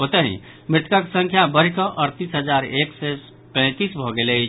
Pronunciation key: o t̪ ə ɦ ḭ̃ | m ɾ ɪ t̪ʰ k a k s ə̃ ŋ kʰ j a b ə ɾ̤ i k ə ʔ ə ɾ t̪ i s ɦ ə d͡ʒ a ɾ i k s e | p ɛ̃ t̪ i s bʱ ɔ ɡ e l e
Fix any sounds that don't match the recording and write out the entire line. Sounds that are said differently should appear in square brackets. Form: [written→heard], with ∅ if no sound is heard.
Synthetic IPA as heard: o t̪ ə ɦ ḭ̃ | m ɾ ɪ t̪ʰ k a k s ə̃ ŋ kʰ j a b ə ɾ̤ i k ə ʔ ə ɾ t̪ i s ɦ ə d͡ʒ a ɾ [i→e] k s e | p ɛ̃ t̪ i s bʱ ɔ ɡ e l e